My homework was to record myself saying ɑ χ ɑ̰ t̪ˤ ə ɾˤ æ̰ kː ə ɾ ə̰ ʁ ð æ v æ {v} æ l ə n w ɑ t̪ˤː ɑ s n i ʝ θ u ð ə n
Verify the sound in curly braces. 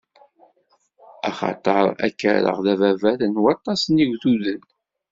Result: correct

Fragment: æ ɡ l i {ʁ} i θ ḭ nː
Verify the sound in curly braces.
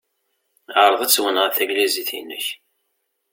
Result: incorrect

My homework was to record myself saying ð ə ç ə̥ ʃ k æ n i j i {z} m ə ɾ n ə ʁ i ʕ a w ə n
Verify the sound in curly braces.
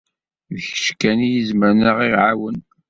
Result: correct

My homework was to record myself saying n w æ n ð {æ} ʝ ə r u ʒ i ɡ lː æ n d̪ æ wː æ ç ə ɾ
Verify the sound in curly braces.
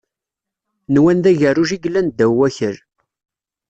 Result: correct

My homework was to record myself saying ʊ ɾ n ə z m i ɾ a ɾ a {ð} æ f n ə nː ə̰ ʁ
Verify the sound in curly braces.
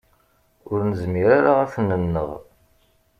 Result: incorrect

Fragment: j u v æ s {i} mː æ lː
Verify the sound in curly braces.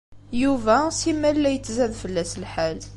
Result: correct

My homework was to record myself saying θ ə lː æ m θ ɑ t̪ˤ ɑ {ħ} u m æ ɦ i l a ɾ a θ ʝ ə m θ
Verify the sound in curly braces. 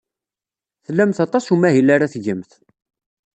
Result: incorrect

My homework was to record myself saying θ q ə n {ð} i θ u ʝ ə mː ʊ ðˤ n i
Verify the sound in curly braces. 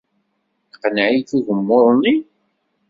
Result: incorrect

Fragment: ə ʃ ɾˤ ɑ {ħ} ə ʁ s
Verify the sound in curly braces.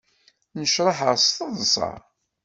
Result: correct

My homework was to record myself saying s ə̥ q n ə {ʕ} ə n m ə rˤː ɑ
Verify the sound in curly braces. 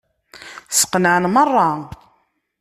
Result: correct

